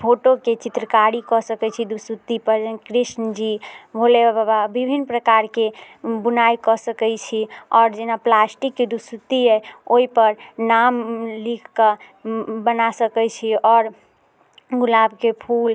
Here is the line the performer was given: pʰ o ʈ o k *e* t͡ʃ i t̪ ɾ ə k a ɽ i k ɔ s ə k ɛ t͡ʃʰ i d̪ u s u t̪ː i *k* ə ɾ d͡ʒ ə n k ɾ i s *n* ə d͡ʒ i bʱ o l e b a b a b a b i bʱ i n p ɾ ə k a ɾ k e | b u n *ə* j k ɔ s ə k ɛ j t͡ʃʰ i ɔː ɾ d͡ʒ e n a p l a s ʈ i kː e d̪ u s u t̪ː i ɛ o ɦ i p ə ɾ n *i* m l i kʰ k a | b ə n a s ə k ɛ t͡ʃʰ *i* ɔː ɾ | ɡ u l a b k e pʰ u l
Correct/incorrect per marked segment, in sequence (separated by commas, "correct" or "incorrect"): correct, incorrect, correct, incorrect, incorrect, correct